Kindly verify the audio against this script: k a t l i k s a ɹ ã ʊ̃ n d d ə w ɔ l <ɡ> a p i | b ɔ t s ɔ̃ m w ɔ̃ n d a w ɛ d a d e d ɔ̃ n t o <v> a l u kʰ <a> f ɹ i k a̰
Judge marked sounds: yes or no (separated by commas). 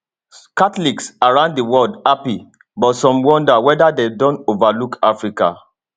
no, yes, yes